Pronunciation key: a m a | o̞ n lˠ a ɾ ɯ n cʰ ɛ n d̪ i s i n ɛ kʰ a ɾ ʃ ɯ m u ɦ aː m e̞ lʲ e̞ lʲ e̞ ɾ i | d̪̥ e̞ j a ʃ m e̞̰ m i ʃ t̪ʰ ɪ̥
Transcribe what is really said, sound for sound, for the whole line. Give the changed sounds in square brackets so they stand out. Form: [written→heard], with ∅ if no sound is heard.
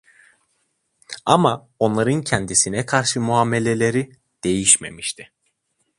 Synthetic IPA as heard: a m a | o̞ n lˠ a ɾ ɯ n cʰ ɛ n d̪ i s i n ɛ kʰ a ɾ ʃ ɯ m u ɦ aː m e̞ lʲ e̞ lʲ e̞ ɾ i | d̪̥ e̞ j [a→i] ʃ m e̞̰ m i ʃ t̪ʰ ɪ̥